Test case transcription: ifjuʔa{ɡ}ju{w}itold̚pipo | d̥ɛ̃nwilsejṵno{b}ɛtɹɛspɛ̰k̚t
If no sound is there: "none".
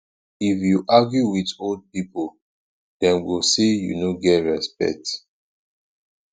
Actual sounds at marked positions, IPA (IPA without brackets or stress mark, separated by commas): ɡ, w, ɡ